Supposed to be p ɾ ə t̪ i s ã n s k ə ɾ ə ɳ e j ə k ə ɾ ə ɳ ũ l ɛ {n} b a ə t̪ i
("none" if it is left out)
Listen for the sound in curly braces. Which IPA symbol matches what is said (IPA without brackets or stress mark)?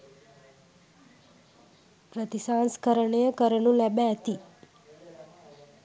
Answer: none